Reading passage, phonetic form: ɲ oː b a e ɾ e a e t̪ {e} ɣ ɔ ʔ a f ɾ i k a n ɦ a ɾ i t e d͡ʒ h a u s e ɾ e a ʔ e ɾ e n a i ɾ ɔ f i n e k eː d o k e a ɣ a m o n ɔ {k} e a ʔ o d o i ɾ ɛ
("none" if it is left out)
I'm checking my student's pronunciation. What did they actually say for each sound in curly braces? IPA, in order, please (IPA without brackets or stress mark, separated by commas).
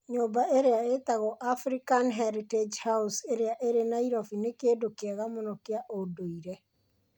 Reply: a, k